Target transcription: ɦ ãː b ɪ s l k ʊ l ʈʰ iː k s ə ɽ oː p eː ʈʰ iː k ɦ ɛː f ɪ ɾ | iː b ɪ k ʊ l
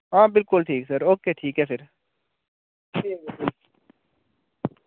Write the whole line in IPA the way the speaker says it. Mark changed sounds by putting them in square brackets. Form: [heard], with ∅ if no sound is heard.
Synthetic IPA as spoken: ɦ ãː b ɪ [∅] l k ʊ l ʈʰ iː k s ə [ɾ] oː [k] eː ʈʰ iː k ɦ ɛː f ɪ ɾ | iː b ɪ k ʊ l